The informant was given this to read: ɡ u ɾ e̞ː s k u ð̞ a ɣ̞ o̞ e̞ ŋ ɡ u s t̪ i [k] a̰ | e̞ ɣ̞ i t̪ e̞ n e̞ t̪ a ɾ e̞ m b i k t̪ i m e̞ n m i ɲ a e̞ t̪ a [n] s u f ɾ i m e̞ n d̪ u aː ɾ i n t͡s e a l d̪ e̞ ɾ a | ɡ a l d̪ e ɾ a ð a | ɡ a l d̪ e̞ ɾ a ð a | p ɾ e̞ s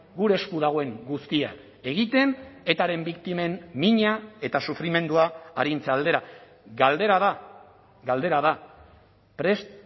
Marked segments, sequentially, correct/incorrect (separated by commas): incorrect, incorrect